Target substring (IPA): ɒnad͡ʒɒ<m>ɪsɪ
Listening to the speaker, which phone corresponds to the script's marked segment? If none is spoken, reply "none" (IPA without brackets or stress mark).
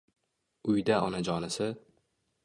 n